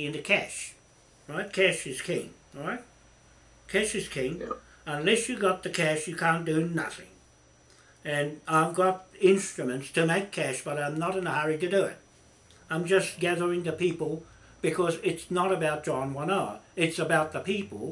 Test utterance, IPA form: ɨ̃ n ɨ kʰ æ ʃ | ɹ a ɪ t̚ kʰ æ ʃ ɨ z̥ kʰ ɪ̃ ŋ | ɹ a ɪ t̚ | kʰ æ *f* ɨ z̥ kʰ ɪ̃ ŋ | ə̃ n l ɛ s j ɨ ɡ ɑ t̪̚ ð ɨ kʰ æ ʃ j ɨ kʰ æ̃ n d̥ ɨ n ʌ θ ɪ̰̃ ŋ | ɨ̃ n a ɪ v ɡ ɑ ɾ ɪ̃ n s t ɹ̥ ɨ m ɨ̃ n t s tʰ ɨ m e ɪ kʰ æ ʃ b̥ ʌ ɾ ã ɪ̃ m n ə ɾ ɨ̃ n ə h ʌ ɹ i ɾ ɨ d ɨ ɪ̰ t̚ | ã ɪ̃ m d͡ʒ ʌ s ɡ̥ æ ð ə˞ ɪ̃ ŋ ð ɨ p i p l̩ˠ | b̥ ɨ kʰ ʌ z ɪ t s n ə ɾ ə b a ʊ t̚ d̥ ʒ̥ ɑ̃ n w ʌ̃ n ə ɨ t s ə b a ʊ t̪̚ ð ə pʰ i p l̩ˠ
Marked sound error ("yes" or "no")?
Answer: yes